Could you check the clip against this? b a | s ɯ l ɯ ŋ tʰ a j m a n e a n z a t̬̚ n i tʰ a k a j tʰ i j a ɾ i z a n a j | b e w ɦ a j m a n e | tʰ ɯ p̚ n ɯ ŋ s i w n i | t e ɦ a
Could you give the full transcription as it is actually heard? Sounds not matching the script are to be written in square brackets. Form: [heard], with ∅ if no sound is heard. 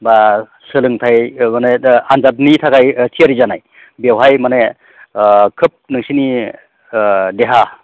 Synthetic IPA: b a | s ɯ l ɯ ŋ tʰ a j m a n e a n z a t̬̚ n i tʰ a k a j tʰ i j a ɾ i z a n a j | b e w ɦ a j m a n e | [kʰ] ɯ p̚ n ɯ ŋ s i [∅] n i | [d] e ɦ a